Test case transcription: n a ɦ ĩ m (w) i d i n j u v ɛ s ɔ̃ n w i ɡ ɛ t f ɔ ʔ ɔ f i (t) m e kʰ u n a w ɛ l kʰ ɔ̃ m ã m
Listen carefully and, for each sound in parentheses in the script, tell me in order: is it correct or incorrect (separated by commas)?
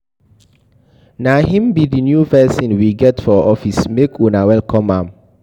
incorrect, incorrect